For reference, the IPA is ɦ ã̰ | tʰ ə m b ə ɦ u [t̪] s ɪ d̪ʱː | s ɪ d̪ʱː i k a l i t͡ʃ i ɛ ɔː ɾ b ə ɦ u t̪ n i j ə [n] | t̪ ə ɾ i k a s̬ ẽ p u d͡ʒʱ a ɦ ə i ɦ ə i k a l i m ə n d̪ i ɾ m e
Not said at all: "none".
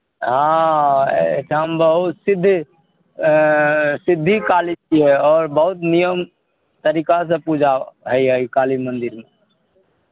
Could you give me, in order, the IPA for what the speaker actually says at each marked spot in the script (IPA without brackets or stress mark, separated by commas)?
t̪, m